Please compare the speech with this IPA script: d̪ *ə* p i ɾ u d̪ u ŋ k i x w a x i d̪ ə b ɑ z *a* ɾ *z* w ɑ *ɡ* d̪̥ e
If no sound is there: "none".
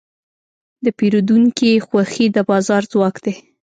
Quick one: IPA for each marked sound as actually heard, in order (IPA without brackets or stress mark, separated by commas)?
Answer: ə, ɑ, z, k